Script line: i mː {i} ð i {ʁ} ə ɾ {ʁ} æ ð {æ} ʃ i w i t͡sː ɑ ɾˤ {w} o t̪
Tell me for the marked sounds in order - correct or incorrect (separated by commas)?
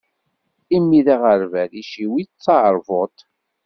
correct, correct, incorrect, incorrect, incorrect